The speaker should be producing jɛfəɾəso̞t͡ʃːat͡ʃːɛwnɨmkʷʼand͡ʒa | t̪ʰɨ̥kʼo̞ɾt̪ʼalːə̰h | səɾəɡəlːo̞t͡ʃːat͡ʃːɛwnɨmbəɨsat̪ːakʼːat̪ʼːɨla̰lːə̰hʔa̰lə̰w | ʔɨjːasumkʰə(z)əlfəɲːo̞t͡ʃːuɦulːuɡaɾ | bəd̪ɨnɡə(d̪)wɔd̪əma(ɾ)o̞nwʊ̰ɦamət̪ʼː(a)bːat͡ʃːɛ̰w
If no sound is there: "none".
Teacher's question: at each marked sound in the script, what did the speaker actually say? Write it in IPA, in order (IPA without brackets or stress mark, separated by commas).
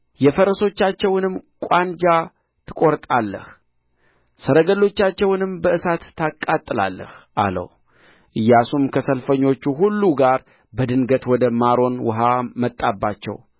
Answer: s, t̪, ɾ, a